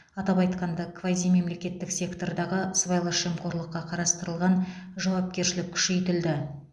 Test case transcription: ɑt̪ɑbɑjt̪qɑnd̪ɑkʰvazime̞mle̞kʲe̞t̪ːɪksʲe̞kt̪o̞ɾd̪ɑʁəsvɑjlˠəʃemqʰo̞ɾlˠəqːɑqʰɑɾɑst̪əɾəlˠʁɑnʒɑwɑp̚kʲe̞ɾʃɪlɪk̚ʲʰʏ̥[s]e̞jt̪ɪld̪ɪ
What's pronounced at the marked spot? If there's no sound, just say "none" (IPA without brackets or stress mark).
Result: ʃ